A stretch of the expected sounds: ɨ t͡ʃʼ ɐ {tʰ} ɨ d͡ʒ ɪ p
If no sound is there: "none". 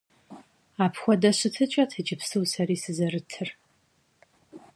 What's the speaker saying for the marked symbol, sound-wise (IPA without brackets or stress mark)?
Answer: tʰ